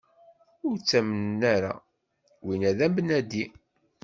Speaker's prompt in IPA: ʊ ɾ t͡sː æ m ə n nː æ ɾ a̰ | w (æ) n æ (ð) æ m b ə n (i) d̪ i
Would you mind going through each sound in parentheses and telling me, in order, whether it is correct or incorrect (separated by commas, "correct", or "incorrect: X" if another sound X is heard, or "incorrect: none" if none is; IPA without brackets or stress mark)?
incorrect: i, correct, incorrect: æ